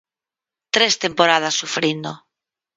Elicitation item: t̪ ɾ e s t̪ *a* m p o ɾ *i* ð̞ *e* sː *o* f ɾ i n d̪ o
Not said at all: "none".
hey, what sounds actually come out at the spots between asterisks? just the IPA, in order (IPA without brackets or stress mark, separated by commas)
e, a, a, u